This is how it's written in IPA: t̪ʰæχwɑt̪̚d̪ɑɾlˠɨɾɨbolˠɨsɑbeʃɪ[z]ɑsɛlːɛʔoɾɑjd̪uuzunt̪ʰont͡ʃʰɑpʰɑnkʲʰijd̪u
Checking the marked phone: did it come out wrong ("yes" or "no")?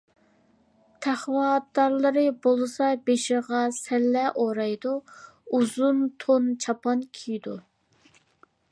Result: yes